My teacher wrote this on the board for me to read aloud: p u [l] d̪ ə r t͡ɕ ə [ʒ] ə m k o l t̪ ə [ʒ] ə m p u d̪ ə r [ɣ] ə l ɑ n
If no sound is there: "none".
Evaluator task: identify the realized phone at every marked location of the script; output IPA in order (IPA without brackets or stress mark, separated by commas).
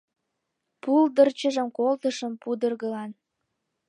l, ʒ, ʃ, ɣ